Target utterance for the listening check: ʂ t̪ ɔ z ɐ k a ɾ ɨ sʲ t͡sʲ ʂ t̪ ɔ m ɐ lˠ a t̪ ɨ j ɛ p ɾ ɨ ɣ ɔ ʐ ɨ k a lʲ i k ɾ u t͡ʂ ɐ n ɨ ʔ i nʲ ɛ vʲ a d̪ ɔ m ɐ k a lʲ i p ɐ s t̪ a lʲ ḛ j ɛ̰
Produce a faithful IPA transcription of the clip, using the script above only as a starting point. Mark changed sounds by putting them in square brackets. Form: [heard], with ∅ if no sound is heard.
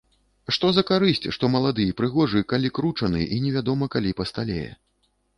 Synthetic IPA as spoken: ʂ t̪ ɔ z ɐ k a ɾ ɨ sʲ t͡sʲ ʂ t̪ ɔ m ɐ lˠ a [d̪] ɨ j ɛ p ɾ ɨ ɣ ɔ ʐ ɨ k a lʲ i k ɾ u t͡ʂ ɐ n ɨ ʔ i nʲ ɛ vʲ a d̪ ɔ m ɐ k a lʲ i p ɐ s t̪ a lʲ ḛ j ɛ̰